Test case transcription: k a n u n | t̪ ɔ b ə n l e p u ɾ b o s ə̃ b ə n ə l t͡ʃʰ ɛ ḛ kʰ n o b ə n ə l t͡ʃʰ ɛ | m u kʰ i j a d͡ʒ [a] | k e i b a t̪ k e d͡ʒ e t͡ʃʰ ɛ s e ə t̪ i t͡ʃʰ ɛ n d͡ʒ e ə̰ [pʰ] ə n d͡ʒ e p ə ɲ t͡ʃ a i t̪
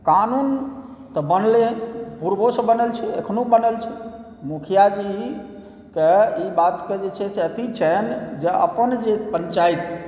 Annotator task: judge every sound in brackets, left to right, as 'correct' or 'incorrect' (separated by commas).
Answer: incorrect, incorrect